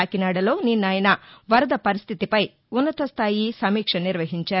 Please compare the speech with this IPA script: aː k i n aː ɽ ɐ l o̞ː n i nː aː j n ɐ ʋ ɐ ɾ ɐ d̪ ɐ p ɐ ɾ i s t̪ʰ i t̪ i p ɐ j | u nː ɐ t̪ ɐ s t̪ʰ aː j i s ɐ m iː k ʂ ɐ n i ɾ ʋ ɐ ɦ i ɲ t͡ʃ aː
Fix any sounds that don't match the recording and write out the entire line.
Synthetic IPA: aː k i n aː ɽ ɐ l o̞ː n i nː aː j n ɐ ʋ ɐ ɾ ɐ d̪ ɐ p ɐ ɾ i s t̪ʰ i t̪ i p ɐ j | u nː ɐ t̪ ɐ s t̪ʰ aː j i s ɐ m iː k ʂ ɐ n i ɾ ʋ ɐ ɦ i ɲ t͡ʃ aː